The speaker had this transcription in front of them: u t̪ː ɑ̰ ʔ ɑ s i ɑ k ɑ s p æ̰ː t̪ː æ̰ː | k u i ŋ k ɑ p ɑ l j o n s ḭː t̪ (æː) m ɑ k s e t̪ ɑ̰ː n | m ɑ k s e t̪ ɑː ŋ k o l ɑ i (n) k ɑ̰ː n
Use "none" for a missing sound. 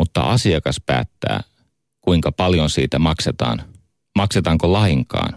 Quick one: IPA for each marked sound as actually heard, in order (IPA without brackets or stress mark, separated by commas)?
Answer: æ, ŋ